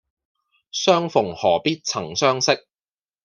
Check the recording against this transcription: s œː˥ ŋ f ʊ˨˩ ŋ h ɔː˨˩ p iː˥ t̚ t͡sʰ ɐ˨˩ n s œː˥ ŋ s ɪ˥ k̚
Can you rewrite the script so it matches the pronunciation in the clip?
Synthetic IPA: s œː˥ ŋ f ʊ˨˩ ŋ h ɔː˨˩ p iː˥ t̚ t͡sʰ ɐ˨˩ ŋ s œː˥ ŋ s ɪ˥ k̚